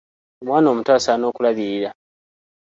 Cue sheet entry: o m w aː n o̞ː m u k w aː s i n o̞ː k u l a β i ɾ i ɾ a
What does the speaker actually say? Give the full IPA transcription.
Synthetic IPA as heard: o m w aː n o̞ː m u t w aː s a n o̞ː k u l a β i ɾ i ɾ a